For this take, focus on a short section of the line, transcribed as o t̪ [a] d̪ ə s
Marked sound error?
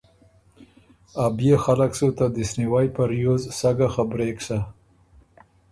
no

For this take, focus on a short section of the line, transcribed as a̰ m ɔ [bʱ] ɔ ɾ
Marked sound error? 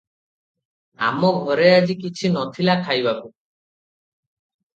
yes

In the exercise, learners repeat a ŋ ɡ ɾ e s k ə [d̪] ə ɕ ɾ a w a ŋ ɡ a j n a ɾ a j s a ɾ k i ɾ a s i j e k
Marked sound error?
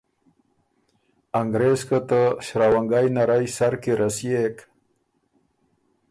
yes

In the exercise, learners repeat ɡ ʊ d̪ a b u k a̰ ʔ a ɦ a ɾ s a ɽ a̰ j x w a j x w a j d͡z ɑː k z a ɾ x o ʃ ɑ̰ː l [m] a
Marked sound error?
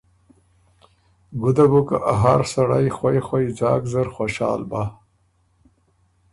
yes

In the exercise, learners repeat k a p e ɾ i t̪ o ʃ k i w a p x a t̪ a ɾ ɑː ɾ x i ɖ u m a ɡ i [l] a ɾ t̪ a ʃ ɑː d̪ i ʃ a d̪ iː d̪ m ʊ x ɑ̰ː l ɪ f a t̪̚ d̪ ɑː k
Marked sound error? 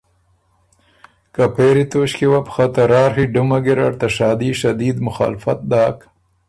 yes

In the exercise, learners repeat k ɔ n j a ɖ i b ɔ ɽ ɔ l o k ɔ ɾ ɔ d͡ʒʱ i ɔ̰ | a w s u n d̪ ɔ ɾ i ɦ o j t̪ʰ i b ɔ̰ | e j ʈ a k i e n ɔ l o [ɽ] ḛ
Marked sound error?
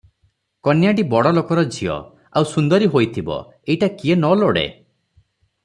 no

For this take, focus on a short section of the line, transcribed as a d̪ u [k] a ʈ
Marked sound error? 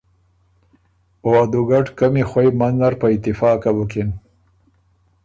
yes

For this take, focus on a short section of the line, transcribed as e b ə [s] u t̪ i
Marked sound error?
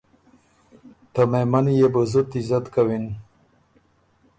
yes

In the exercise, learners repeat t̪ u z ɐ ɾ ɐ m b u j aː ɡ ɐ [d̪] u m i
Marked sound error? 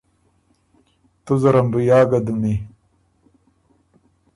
no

